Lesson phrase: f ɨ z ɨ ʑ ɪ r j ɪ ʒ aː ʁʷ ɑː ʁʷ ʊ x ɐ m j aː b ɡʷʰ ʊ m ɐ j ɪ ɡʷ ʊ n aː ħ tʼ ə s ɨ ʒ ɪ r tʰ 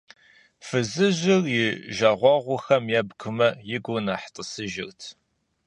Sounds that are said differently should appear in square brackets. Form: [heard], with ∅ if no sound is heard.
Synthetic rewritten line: f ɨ z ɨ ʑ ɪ r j ɪ ʒ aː ʁʷ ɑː ʁʷ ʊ x ɐ m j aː b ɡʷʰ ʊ m ɐ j ɪ ɡʷ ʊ n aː ħ tʼ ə s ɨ ʒ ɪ r tʰ